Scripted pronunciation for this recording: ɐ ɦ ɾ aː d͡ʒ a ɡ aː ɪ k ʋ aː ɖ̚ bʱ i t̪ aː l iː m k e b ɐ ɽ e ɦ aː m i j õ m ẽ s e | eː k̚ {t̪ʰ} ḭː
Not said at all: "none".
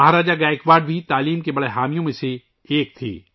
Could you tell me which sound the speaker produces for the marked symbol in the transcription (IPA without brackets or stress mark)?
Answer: t̪ʰ